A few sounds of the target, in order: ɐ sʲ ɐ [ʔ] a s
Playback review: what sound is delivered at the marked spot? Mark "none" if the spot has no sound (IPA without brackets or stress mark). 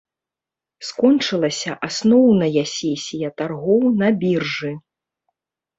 ʔ